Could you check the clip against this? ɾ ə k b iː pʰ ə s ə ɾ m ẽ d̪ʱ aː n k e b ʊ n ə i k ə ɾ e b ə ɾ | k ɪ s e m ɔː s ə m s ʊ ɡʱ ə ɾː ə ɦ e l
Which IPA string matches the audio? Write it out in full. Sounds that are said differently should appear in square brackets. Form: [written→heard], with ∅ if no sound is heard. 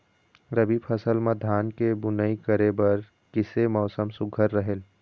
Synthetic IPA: ɾ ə [k→∅] b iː pʰ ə s ə [ɾ→l] m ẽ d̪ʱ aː n k e b ʊ n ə i k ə ɾ e b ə ɾ | k ɪ s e m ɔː s ə m s ʊ ɡʱ ə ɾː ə ɦ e l